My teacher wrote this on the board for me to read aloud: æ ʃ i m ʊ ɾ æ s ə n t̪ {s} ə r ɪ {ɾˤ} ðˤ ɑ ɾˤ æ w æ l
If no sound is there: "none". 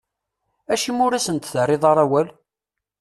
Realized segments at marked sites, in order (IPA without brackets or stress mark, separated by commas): θ, none